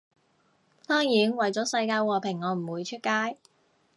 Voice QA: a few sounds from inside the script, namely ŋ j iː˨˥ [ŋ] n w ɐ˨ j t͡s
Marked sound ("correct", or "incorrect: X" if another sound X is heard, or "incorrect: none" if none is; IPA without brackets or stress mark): incorrect: none